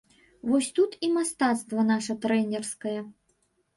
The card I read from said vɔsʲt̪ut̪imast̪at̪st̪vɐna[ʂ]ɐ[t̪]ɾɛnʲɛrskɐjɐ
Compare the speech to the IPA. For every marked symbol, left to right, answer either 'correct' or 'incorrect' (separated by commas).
correct, correct